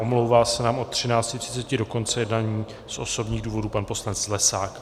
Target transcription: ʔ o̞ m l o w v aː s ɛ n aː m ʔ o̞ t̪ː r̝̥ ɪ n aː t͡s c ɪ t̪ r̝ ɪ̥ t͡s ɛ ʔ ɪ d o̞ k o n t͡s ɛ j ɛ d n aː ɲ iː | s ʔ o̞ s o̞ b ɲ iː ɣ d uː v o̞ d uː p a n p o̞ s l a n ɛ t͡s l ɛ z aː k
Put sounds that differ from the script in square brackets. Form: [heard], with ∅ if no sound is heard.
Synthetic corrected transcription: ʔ o̞ m l o w v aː s ɛ n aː m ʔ o̞ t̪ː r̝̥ ɪ n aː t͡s c ɪ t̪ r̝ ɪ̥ t͡s ɛ [c] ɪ d o̞ k o n t͡s ɛ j ɛ d n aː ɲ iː | s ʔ o̞ s o̞ b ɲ iː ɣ d uː v o̞ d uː p a n p o̞ s l a n ɛ t͡s l ɛ [s] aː k